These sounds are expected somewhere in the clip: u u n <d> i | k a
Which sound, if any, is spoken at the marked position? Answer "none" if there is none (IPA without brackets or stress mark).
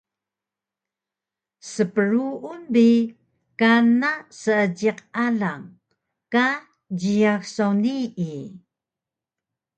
b